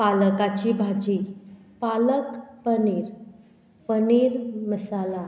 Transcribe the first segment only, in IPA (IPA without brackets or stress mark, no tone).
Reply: p